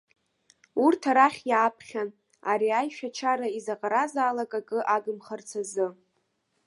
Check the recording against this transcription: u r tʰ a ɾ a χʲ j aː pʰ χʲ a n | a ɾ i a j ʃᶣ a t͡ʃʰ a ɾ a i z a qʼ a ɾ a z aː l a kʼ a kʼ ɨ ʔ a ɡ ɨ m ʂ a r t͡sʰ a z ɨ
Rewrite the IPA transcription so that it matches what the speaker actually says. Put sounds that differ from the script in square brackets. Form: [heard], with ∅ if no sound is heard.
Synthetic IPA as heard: u r tʰ a ɾ a χʲ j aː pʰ χʲ a n | a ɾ i a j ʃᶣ a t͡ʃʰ a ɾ a i z a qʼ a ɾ a z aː l a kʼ a kʼ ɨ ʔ a ɡ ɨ m [χ] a r t͡sʰ a z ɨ